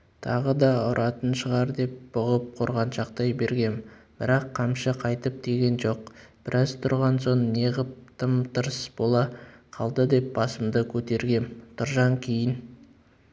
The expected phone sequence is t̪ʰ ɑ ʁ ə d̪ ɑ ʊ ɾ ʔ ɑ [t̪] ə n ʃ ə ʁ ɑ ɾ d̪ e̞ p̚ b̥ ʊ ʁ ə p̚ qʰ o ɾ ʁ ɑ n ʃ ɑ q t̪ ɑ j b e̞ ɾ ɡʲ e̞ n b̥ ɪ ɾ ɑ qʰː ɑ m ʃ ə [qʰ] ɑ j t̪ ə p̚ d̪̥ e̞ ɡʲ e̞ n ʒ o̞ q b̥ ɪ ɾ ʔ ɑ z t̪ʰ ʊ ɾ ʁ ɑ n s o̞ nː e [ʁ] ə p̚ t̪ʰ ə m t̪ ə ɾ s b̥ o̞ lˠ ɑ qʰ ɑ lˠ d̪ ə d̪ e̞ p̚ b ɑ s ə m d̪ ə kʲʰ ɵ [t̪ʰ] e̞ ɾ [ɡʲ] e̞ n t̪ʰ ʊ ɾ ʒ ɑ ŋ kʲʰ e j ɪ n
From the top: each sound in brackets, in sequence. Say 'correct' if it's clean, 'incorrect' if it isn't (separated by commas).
correct, correct, correct, incorrect, correct